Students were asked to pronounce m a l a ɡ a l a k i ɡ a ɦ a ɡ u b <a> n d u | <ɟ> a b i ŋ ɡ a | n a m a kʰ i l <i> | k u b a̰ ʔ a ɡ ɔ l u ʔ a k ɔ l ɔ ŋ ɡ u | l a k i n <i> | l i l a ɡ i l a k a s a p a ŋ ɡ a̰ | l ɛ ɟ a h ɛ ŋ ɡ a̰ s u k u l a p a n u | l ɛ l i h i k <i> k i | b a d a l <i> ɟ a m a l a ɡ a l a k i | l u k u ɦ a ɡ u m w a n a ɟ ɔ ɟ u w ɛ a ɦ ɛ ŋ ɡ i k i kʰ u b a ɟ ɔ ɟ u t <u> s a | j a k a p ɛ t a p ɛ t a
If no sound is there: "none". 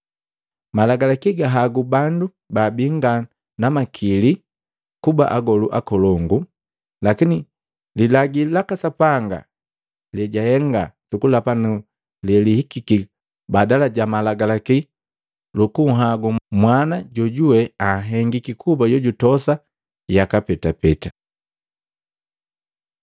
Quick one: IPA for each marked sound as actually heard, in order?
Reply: a, b, i, i, i, a, ɔ

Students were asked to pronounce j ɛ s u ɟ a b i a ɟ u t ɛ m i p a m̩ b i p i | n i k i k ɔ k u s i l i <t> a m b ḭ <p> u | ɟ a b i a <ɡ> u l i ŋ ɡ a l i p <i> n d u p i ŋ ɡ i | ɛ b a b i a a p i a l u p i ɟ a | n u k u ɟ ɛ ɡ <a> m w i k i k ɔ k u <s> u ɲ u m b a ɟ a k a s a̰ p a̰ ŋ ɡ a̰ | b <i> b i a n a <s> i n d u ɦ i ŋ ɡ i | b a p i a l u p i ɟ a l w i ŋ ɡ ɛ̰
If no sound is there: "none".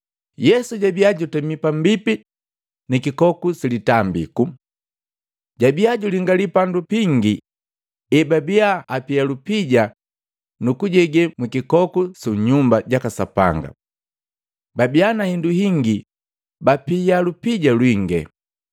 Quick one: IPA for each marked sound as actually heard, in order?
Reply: t, k, ɟ, a, ɛ, s, a, h

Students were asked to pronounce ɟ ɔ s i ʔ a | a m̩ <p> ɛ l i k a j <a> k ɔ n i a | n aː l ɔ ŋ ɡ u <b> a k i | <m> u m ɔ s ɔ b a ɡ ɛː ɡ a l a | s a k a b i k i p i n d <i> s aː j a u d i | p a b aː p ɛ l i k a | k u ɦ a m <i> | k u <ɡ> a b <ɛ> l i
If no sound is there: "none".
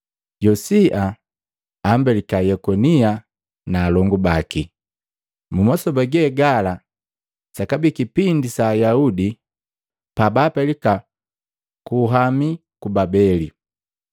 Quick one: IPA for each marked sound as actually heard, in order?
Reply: b, ɛ, b, m, i, i, b, ɛ

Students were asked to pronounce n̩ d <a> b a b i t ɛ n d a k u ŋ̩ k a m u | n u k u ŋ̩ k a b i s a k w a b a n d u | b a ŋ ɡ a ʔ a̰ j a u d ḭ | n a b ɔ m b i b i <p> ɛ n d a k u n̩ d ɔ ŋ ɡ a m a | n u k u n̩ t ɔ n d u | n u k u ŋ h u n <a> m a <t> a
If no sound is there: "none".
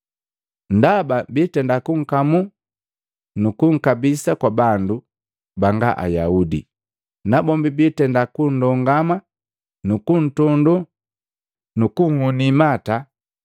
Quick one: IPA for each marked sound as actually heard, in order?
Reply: a, t, i, t

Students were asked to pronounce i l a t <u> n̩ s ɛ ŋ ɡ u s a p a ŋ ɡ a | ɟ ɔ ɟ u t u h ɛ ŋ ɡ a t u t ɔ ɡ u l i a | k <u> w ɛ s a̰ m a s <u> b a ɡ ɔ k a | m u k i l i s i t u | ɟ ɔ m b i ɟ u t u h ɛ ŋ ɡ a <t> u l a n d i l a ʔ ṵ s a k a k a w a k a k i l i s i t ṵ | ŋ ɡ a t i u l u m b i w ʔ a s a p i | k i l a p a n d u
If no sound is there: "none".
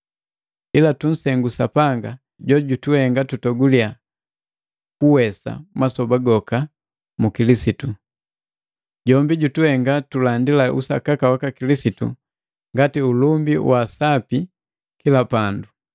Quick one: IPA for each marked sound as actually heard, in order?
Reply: u, u, ɔ, t

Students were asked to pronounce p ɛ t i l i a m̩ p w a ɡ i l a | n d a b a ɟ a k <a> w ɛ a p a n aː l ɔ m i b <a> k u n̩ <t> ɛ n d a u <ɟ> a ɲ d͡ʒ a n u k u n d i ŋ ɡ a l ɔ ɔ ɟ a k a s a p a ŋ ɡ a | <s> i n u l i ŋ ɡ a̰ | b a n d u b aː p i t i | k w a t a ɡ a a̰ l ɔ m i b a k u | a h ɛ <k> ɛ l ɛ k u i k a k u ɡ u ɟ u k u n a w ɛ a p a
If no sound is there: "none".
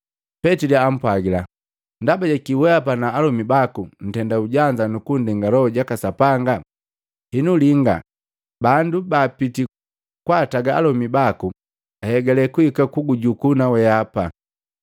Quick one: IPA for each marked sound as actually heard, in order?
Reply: i, a, t, ɟ, h, ɡ

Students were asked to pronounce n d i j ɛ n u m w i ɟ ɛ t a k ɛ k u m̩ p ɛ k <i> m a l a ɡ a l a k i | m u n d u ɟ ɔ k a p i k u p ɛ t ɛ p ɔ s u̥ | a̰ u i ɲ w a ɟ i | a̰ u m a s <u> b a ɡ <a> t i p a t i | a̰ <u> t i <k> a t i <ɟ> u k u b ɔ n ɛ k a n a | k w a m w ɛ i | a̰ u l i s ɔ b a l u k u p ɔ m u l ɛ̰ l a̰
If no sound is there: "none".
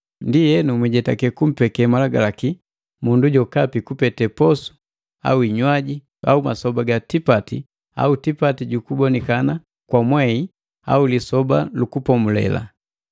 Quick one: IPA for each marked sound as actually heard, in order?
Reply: ɛ, ɔ, a, u, p, ɟ

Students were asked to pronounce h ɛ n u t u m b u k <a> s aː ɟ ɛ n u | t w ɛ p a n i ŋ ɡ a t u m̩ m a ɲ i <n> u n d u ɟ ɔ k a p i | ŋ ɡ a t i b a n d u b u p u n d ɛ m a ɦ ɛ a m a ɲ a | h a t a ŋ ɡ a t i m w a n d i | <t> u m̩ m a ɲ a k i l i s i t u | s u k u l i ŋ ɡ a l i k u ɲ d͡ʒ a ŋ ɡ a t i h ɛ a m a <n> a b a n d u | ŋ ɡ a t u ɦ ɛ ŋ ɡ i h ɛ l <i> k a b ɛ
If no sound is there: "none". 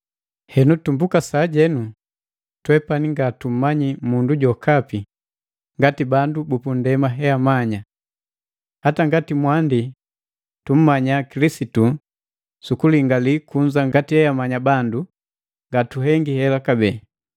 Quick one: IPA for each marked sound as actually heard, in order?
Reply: a, m, t, ɲ, a

